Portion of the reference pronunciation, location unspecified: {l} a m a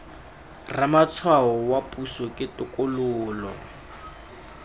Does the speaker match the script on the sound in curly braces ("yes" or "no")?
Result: no